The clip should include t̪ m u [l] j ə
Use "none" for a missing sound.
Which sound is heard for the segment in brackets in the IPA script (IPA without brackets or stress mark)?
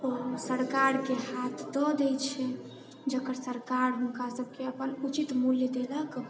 l